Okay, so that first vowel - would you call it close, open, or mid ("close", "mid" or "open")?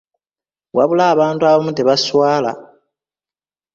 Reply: open